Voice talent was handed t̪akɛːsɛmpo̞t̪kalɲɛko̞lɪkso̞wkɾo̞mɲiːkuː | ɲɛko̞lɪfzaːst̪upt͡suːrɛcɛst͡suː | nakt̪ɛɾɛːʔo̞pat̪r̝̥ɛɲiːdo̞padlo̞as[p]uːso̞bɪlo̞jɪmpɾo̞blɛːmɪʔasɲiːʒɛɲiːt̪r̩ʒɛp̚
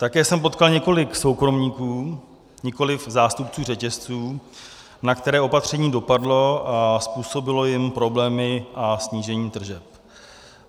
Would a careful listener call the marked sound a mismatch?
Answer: no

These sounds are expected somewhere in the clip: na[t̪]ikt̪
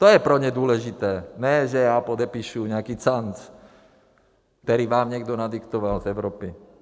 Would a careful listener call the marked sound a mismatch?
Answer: yes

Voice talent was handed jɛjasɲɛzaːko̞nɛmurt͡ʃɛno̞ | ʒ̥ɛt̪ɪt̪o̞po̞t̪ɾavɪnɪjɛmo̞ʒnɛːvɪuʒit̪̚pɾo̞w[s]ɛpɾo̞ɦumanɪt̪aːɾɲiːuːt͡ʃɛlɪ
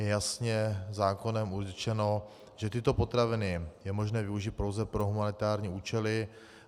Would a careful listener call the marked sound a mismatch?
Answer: yes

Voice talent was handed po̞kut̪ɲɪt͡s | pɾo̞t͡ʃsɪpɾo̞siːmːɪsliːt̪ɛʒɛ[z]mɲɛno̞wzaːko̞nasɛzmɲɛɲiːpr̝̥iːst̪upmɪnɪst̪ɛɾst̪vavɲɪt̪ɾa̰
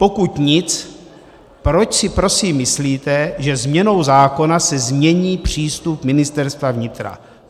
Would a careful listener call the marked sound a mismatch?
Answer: no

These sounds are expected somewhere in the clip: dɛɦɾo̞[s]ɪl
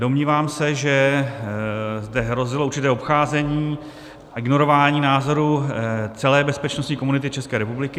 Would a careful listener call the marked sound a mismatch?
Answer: yes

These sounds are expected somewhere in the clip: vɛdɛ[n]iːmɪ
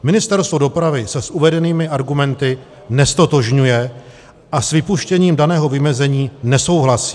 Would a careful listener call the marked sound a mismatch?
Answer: no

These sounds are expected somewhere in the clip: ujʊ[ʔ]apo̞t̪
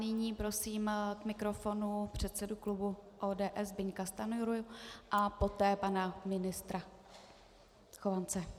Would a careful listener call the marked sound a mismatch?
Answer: no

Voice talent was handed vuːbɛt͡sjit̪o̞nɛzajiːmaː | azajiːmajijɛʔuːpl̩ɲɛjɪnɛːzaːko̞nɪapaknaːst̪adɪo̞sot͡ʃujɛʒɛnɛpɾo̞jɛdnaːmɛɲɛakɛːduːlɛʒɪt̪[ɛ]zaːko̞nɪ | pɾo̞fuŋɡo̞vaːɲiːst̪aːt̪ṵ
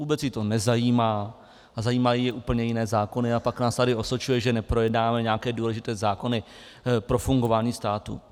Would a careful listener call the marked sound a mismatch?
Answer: yes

